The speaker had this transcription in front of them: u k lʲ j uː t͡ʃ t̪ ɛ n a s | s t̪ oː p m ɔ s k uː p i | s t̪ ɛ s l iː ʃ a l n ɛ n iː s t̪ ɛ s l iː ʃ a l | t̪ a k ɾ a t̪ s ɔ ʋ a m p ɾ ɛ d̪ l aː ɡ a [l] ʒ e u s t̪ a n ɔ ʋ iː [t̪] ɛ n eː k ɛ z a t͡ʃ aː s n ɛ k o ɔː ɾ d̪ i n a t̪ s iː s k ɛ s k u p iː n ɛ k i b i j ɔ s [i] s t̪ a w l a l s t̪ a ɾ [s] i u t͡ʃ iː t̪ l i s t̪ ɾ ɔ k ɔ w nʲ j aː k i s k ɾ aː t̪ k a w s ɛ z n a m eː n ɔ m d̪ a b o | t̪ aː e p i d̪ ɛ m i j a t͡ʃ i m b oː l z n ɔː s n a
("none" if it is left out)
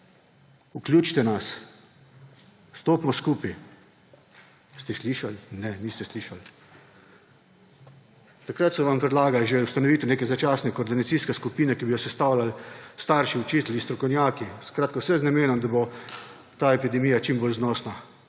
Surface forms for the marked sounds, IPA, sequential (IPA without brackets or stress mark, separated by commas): l, t̪, ɛ, ʃ